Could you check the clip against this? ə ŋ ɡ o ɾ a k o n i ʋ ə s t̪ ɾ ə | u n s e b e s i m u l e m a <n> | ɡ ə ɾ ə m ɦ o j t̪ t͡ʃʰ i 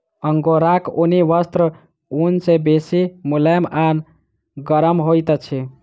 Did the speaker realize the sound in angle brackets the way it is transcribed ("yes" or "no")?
yes